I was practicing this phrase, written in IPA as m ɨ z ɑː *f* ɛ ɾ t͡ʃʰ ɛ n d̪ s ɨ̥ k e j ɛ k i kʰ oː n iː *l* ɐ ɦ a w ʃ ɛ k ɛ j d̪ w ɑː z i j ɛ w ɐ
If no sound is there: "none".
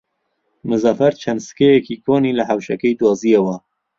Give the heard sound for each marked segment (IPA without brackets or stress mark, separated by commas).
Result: f, l